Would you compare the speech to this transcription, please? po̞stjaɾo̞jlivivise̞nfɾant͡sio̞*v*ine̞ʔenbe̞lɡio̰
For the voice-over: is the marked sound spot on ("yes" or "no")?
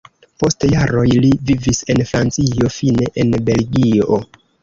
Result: no